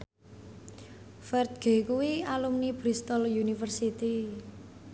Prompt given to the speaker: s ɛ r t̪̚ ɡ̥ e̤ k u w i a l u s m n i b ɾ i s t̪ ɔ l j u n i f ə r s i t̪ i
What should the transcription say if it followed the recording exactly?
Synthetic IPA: f ɛ r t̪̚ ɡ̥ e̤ k u w i a l u m n i b ɾ i s t̪ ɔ l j u n i f ə r s i t̪ i